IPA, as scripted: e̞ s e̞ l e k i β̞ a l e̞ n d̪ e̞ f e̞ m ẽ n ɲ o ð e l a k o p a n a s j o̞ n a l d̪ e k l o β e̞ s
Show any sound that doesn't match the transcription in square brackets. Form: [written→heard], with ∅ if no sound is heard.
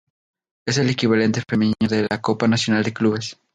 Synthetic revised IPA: e̞ s e̞ l e k i β̞ a l e̞ n [d̪→t̪] e̞ f e̞ m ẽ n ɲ o ð e l a k o p a n a s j o̞ n a l d̪ e k l [o→u] β e̞ s